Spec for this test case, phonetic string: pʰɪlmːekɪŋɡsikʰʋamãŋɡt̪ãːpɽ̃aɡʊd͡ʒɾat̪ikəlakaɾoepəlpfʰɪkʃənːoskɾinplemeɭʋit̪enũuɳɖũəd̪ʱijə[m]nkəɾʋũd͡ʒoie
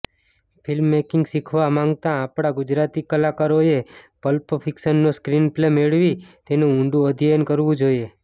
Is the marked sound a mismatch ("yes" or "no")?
yes